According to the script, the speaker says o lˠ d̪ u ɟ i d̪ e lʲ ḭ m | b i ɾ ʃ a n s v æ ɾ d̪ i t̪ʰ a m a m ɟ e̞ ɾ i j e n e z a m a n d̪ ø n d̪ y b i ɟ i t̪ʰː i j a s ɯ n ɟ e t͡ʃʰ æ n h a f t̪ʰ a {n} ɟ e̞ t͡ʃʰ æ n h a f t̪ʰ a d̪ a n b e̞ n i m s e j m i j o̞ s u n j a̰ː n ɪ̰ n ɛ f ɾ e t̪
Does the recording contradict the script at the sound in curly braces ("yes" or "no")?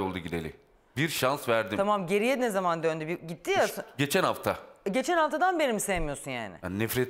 yes